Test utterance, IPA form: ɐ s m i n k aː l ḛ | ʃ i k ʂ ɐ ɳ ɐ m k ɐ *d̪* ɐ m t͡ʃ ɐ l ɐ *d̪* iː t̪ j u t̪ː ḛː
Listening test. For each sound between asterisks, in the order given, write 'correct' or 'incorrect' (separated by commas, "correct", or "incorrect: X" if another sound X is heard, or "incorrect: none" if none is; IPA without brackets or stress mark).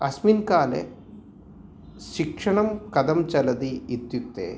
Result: correct, correct